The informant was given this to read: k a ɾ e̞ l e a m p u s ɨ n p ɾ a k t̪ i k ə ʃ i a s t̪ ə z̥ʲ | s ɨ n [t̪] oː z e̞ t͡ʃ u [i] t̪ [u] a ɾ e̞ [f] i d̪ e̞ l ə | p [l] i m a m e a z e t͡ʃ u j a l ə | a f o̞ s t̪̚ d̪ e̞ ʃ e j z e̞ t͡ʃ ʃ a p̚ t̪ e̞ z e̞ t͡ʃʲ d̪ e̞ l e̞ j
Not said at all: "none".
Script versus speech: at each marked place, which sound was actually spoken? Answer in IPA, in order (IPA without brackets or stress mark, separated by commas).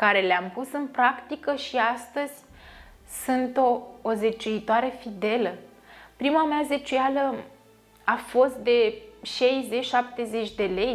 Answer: t̪, i, o, f, ɾ